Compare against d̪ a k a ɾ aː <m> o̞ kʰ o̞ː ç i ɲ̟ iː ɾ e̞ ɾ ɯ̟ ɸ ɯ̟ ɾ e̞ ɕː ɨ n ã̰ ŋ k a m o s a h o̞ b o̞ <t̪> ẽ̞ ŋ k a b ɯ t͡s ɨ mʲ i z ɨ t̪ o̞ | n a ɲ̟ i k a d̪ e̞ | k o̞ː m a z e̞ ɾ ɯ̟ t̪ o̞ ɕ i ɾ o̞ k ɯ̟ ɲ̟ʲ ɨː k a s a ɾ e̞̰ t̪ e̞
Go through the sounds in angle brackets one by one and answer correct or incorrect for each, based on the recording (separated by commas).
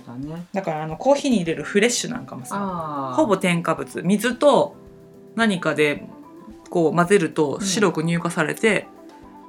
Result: incorrect, correct